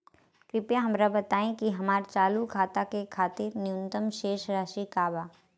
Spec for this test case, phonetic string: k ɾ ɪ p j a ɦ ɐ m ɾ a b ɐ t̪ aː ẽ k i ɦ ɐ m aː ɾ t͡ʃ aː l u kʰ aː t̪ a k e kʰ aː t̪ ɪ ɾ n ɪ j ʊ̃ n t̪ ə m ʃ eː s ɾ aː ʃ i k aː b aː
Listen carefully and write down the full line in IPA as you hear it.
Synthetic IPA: k ɾ ɪ p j a ɦ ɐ m ɾ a b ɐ t̪ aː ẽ k i ɦ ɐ m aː ɾ t͡ʃ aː l u kʰ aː t̪ a k e kʰ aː t̪ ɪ ɾ n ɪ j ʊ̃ n t̪ ə m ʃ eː ʃ ɾ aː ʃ i k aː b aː